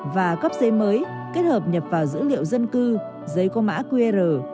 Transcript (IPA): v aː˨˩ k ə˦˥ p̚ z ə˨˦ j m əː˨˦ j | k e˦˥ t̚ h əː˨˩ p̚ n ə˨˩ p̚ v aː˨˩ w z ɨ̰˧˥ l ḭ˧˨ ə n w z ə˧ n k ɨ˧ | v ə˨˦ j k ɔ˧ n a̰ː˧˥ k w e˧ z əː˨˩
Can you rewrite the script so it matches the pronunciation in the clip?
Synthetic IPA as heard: v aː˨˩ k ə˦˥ p̚ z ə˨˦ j m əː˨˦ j | k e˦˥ t̚ h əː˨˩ p̚ ɲ ə˨˩ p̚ v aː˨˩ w z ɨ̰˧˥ l ḭ˧˨ ə w z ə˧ n k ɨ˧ | z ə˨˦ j k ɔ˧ m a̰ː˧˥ k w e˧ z əː˨˩